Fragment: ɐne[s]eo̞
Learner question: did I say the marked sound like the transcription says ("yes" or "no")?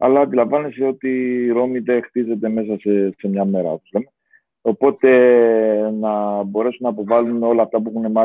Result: yes